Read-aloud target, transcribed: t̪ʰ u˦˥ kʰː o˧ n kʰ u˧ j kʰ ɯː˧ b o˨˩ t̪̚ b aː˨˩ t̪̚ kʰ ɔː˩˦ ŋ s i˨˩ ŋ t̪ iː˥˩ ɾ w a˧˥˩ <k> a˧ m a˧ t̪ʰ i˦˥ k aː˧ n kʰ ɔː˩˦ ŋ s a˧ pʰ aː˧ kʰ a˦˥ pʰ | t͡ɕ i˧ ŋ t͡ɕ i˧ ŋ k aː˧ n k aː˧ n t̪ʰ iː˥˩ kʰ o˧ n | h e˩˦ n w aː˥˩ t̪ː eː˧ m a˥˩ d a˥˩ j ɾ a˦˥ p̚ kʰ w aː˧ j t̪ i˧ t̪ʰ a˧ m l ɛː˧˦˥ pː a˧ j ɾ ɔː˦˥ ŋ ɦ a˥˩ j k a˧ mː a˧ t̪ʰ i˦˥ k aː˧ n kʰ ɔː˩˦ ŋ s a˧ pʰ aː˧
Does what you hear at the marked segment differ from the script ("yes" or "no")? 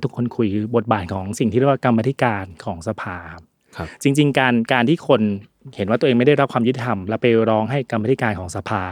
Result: no